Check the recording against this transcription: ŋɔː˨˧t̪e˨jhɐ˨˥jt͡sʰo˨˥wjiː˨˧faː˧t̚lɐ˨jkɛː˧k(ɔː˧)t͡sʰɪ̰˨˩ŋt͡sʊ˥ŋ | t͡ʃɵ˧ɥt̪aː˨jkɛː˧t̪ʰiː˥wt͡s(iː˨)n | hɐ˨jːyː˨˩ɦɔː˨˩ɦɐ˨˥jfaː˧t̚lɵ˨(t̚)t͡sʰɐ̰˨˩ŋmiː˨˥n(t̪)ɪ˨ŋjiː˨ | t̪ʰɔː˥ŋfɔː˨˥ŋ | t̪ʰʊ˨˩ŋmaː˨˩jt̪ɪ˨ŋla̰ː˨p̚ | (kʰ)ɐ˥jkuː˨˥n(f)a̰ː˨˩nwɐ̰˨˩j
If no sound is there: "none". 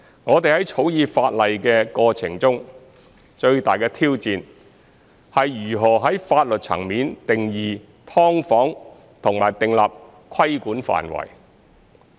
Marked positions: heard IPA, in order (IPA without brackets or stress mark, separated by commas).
ɔː˧, iː˨, t̚, t̪, kʰ, f